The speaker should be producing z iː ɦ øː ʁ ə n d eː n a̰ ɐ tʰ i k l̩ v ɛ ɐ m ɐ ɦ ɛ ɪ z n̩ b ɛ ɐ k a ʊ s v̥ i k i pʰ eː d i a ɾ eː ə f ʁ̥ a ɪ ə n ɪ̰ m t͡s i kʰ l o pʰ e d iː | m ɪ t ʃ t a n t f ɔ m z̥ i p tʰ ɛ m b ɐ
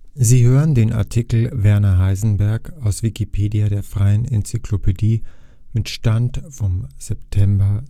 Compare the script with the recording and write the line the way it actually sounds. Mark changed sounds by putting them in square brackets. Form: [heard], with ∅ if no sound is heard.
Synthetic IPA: z iː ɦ øː ʁ ə n d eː n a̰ ɐ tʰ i k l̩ v ɛ ɐ [n] ɐ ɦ [a] ɪ z n̩ b ɛ ɐ k a ʊ s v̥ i k i pʰ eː d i a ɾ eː [ɐ] f ʁ̥ a ɪ ə n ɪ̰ [n] t͡s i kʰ l o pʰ e d iː | m ɪ t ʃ t a n t f ɔ m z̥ [ɛ] p tʰ ɛ m b ɐ